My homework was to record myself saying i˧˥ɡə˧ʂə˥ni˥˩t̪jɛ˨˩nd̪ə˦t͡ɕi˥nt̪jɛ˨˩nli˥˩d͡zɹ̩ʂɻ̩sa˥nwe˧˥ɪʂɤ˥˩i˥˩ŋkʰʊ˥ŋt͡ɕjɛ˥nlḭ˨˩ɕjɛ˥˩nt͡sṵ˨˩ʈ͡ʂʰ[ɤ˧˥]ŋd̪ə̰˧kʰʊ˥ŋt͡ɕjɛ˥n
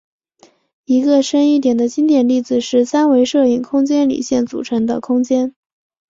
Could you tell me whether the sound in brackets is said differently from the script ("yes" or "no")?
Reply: no